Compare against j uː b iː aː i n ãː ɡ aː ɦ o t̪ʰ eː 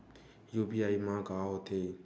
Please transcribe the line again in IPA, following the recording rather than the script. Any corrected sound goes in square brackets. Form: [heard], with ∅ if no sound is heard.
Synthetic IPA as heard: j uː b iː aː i [m] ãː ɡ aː ɦ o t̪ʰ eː